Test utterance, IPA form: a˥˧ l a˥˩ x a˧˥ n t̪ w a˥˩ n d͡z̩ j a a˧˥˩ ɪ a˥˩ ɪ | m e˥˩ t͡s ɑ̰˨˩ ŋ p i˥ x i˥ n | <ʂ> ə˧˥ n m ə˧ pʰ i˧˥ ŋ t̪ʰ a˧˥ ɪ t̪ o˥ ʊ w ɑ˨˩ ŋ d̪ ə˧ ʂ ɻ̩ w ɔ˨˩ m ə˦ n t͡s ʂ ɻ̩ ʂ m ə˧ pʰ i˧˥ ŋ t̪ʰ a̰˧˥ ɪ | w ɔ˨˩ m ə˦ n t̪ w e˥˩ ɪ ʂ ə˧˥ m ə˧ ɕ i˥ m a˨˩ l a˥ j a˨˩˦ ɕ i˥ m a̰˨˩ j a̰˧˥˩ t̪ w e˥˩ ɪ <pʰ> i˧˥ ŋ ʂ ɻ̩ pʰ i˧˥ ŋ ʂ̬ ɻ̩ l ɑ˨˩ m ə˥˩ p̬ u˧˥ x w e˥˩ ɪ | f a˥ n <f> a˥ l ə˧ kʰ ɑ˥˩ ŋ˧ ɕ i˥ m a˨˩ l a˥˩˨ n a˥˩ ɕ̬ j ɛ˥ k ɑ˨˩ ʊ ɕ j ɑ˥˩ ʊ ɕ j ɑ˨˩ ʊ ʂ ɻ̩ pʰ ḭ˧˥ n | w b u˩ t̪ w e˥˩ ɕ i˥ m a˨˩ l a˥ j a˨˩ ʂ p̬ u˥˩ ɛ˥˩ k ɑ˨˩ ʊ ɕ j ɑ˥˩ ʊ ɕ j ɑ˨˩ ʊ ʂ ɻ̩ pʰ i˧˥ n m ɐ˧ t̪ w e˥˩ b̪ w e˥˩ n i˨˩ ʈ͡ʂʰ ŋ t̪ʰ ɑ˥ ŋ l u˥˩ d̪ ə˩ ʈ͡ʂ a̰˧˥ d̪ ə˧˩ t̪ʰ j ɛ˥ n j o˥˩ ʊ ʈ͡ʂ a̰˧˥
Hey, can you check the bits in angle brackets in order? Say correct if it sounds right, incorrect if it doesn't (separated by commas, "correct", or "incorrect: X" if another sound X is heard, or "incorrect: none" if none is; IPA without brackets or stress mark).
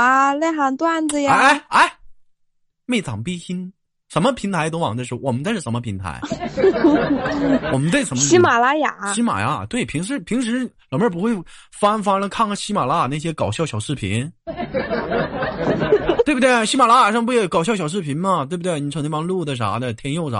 correct, correct, correct